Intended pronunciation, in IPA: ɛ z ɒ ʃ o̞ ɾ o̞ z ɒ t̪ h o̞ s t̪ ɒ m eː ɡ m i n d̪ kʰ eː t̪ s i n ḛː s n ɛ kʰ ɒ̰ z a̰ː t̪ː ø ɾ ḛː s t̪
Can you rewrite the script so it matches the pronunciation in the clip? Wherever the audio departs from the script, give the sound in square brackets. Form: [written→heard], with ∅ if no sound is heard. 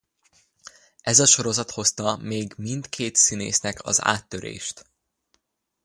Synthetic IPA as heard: ɛ z ɒ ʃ o̞ ɾ o̞ z ɒ t̪ h o̞ s t̪ ɒ m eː ɡ m i n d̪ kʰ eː t̪ s i n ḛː s n ɛ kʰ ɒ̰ z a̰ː t̪ː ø ɾ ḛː [s→ʃ] t̪